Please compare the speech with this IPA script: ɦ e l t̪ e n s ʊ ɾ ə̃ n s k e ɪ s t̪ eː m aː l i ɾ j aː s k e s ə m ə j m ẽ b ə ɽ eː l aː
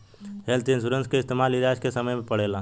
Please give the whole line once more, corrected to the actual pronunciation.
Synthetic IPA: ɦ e l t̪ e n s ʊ ɾ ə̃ n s k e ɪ s t̪ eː m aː l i ɾ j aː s k e s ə m ə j m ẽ p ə ɽ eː l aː